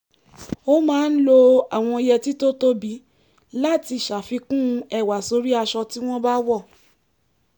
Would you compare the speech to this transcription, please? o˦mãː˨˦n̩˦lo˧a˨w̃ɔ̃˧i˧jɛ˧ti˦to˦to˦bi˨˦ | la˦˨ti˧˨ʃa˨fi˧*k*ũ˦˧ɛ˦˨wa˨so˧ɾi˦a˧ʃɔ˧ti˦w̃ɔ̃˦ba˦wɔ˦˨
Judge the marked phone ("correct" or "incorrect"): correct